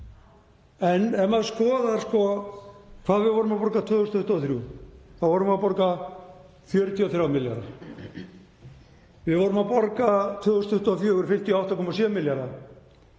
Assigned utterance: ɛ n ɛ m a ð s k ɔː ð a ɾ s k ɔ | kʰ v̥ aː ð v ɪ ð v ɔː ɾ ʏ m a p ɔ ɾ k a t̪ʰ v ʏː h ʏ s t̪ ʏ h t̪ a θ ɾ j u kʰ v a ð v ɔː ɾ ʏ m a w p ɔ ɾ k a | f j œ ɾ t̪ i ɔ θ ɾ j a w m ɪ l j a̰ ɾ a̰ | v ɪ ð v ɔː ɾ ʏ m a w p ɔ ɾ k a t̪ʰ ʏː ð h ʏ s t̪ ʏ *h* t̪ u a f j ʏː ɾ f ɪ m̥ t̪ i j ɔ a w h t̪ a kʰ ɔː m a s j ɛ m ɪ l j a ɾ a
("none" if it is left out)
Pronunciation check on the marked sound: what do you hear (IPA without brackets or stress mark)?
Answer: h